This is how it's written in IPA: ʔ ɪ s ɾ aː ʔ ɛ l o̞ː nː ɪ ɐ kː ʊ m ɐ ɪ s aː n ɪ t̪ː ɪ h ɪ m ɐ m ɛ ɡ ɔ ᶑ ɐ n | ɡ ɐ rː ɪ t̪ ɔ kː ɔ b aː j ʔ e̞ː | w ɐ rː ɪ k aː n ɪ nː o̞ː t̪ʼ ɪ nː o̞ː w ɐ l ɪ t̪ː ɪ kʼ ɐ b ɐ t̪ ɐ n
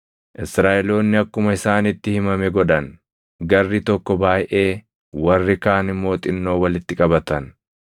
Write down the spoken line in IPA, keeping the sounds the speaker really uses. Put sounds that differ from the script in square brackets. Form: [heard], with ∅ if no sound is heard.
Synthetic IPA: ʔ ɪ s ɾ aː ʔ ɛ l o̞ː nː ɪ ɐ kː ʊ m ɐ ɪ s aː n ɪ t̪ː ɪ h ɪ m ɐ m ɛ ɡ ɔ ᶑ ɐ n | ɡ ɐ rː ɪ t̪ ɔ kː ɔ b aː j ʔ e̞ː | w ɐ rː ɪ k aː n ɪ [mː] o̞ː t̪ʼ ɪ nː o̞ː w ɐ l ɪ t̪ː ɪ kʼ ɐ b ɐ t̪ ɐ n

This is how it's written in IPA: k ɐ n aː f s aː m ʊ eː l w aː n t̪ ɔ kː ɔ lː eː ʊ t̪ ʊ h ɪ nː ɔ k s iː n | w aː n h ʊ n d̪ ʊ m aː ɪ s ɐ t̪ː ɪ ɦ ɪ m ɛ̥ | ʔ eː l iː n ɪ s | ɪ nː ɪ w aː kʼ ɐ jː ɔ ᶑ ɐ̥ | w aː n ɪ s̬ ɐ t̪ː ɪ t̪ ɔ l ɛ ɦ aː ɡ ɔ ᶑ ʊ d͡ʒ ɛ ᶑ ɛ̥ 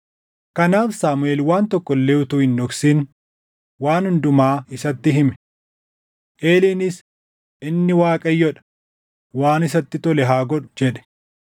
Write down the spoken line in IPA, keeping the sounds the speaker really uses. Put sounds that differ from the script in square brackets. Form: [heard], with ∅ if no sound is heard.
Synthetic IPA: k ɐ n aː f s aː m ʊ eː l w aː n t̪ ɔ kː ɔ lː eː ʊ t̪ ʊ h ɪ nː ɔ k s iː n | w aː n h ʊ n d̪ ʊ m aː ɪ s ɐ t̪ː ɪ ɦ ɪ m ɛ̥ | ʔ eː l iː n ɪ s | ɪ nː ɪ w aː kʼ ɐ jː ɔ ᶑ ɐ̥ | w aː n ɪ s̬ ɐ t̪ː ɪ t̪ ɔ l ɛ ɦ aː ɡ ɔ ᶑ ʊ d͡ʒ ɛ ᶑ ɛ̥

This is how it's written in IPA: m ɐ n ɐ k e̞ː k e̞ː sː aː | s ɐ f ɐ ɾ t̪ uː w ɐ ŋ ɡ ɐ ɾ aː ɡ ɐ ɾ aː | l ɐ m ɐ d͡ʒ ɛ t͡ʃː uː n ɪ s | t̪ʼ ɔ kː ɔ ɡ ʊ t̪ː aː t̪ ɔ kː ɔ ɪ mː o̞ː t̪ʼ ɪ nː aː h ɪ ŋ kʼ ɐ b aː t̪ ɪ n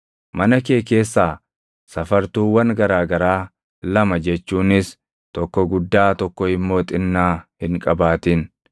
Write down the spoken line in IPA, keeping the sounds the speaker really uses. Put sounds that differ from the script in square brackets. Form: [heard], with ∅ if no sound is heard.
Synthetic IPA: m ɐ n ɐ k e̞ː k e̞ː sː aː | s ɐ f ɐ ɾ t̪ uː w ɐ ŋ ɡ ɐ ɾ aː ɡ ɐ ɾ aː | l ɐ m ɐ d͡ʒ ɛ t͡ʃː uː n ɪ s | [t̪] ɔ kː ɔ ɡ ʊ [d̪ː] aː t̪ ɔ kː ɔ ɪ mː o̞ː t̪ʼ ɪ nː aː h ɪ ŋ kʼ ɐ b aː t̪ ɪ n

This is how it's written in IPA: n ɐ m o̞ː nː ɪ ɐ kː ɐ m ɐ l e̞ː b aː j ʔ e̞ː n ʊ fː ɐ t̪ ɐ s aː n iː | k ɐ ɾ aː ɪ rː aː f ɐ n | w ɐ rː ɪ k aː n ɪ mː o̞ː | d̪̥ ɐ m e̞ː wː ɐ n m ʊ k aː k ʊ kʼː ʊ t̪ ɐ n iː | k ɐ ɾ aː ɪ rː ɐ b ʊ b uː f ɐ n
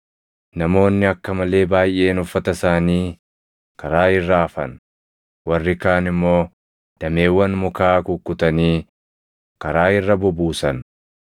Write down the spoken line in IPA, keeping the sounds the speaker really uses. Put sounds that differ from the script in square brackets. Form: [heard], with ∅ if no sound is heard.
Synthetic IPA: n ɐ m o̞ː nː ɪ ɐ kː ɐ m ɐ l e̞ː b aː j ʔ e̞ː n ʊ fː ɐ t̪ ɐ s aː n iː | k ɐ ɾ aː ɪ rː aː f ɐ n | w ɐ rː ɪ k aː n ɪ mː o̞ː | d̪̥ ɐ m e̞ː wː ɐ n m ʊ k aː k ʊ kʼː ʊ t̪ ɐ n iː | k ɐ ɾ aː ɪ rː ɐ b ʊ b uː [s] ɐ n

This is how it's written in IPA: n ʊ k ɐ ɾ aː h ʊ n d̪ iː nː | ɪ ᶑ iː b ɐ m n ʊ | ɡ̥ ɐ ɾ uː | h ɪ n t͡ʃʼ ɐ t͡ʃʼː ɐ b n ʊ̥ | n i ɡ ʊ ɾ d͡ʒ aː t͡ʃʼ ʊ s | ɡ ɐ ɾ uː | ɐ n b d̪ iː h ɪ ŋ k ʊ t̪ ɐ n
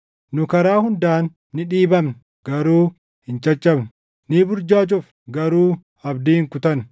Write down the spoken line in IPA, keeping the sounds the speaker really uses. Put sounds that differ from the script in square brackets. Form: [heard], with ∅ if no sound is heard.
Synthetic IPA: n ʊ k ɐ ɾ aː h ʊ n d̪ [aː] nː | ɪ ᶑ iː b ɐ m n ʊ | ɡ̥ ɐ ɾ uː | h ɪ n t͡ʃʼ ɐ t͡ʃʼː ɐ b n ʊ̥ | n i [b] ʊ ɾ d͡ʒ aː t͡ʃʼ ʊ [f] | ɡ ɐ ɾ uː | ɐ [∅] b d̪ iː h ɪ ŋ k ʊ t̪ ɐ n

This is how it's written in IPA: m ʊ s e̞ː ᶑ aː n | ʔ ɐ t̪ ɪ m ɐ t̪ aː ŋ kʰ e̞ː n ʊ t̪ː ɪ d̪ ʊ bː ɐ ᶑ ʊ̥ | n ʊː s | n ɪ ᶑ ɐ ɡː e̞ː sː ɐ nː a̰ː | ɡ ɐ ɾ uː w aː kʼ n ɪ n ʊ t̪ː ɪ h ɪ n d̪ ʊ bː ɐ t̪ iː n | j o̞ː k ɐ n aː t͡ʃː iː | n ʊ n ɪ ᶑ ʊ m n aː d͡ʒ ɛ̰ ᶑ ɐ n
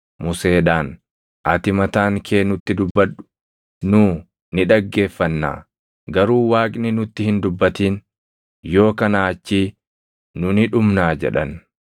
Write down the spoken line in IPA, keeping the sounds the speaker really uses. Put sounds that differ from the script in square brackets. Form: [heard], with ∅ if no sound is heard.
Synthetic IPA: m ʊ s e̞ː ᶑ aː n | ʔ ɐ t̪ ɪ m ɐ t̪ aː ŋ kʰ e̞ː n ʊ t̪ː ɪ d̪ ʊ bː ɐ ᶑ ʊ̥ | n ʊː [∅] | n ɪ ᶑ ɐ ɡː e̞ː [fː] ɐ nː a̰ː | ɡ ɐ ɾ uː w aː kʼ n ɪ n ʊ t̪ː ɪ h ɪ n d̪ ʊ bː ɐ t̪ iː n | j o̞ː k ɐ n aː t͡ʃː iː | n ʊ n ɪ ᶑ ʊ m n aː d͡ʒ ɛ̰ ᶑ ɐ n

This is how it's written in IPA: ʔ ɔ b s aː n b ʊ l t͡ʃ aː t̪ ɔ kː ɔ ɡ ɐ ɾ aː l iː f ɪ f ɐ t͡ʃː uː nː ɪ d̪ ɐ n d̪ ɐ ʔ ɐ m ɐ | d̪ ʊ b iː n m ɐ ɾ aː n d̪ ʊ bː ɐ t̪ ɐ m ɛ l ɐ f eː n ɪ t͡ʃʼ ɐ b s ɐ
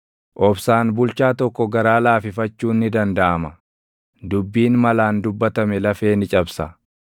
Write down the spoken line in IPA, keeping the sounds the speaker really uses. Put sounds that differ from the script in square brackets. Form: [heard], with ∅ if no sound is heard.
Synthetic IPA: ʔ ɔ b s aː n b ʊ l t͡ʃ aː t̪ ɔ kː ɔ ɡ ɐ ɾ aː l [aː] f ɪ f ɐ t͡ʃː uː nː ɪ d̪ ɐ n d̪ ɐ ʔ ɐ m ɐ | d̪ ʊ [bː] iː n m ɐ [l] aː n d̪ ʊ bː ɐ t̪ ɐ m ɛ l ɐ f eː n ɪ t͡ʃʼ ɐ b s ɐ

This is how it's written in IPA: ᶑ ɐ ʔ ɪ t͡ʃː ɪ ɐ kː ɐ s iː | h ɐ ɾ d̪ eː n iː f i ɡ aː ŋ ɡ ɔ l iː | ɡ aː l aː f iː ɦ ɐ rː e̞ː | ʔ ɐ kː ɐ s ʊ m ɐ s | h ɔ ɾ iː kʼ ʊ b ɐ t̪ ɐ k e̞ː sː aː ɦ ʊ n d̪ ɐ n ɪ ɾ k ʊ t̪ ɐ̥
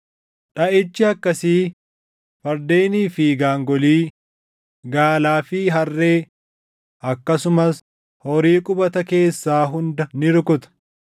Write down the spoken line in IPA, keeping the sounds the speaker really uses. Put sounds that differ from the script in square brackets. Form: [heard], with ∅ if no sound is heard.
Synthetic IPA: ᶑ ɐ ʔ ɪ t͡ʃː ɪ ɐ kː ɐ s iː | [f] ɐ ɾ d̪ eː n iː f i ɡ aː ŋ ɡ ɔ l iː | ɡ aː l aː f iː ɦ ɐ rː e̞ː | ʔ ɐ kː ɐ s ʊ m ɐ s | h ɔ ɾ iː kʼ ʊ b ɐ t̪ ɐ k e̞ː sː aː ɦ ʊ n d̪ ɐ n ɪ ɾ k ʊ t̪ ɐ̥

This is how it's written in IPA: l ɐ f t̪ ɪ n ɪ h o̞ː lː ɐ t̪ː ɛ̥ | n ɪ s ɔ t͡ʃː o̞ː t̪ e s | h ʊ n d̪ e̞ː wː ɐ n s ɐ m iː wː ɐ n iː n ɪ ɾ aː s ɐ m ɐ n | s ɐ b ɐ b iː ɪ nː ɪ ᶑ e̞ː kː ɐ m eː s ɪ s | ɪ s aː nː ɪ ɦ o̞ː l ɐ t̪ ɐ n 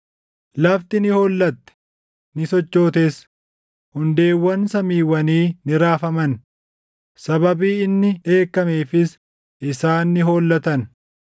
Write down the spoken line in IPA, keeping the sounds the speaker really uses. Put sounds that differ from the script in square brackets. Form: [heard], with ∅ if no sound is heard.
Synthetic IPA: l ɐ f t̪ ɪ n ɪ h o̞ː lː ɐ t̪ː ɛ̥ | n ɪ s ɔ t͡ʃː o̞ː t̪ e s | h ʊ n d̪ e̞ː wː ɐ n s ɐ m iː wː ɐ n iː n ɪ ɾ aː [f] ɐ m ɐ n | s ɐ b ɐ b iː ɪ nː ɪ ᶑ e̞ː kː ɐ m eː [f] ɪ s | ɪ s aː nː ɪ ɦ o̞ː [lː] ɐ t̪ ɐ n

